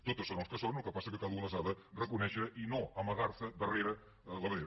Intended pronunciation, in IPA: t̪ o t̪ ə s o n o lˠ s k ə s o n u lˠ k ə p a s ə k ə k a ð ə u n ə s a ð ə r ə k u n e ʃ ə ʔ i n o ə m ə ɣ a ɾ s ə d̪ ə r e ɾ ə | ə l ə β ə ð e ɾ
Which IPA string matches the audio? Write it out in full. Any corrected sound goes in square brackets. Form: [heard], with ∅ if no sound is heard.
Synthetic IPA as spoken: t̪ o t̪ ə s o n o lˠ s k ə s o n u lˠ k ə p a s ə k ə k a ð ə u n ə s a ð ə r ə k u n [ɛ] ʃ ə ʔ i n o ə m ə ɣ a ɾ s ə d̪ ə r e ɾ ə | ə l ə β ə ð e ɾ